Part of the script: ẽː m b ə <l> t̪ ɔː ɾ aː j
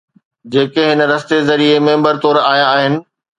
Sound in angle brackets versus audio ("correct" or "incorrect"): incorrect